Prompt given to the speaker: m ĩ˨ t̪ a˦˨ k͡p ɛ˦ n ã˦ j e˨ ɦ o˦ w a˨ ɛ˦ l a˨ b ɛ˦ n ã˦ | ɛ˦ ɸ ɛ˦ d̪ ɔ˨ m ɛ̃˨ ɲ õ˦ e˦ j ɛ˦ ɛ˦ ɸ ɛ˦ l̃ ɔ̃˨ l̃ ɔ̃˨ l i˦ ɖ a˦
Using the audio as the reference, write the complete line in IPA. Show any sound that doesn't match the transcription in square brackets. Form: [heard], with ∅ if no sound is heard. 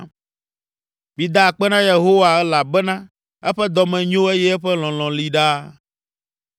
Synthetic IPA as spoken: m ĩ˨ [d̪] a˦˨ k͡p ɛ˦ n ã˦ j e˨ ɦ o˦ w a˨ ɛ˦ l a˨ b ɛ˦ n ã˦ | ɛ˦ ɸ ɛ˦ d̪ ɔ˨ m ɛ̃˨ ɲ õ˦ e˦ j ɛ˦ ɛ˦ ɸ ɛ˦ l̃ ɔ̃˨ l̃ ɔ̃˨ l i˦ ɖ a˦